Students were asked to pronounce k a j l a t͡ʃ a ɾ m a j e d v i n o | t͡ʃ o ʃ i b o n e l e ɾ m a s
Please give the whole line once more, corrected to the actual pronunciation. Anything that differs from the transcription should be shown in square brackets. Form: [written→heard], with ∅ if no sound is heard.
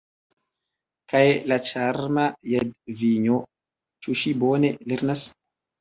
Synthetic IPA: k a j l a t͡ʃ a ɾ m a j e d v i [n→ɲ] o | t͡ʃ [o→u] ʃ i b o n e l e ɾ [m→n] a s